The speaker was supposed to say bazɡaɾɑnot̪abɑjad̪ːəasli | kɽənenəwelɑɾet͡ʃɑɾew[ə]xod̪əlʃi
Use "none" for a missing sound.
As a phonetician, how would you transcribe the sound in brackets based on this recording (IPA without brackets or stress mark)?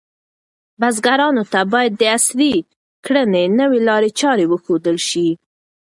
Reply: ə